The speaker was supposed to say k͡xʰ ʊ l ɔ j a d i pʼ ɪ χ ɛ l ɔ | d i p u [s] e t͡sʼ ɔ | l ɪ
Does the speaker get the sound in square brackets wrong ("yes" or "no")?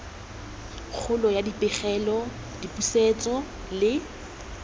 no